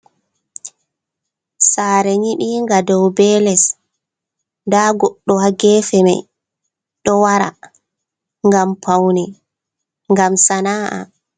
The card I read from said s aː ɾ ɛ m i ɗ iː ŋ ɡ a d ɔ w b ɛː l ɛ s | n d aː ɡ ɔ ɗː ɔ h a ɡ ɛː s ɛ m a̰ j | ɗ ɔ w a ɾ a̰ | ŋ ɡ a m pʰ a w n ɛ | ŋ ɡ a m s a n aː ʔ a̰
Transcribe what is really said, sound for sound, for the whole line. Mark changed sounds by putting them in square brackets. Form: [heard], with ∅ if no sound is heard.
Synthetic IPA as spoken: s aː ɾ ɛ [ɲ] i ɗ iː ŋ ɡ a d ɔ w b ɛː l ɛ s | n d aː ɡ ɔ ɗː ɔ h a ɡ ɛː [f] ɛ m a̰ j | ɗ ɔ w a ɾ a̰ | ŋ ɡ a m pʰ a w n ɛ | ŋ ɡ a m s a n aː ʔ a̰